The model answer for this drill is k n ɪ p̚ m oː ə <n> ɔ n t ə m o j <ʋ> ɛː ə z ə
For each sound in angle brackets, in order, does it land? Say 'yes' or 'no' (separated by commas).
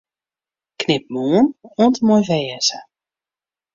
yes, no